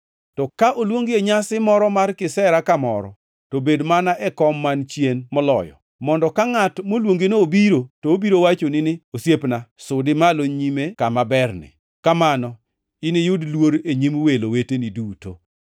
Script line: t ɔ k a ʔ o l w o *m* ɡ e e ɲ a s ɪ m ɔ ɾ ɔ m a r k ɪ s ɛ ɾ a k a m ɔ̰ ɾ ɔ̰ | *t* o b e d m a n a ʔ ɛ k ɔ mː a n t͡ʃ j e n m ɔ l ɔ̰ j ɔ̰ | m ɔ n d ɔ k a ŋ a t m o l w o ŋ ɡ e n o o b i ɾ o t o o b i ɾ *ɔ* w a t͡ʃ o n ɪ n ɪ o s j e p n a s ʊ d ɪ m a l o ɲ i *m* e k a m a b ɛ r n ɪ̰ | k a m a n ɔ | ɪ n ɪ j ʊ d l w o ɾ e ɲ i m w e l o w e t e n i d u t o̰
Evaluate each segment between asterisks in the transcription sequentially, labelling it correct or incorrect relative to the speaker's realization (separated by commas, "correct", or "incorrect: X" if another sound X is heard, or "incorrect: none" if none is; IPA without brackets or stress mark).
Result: incorrect: ŋ, correct, incorrect: o, correct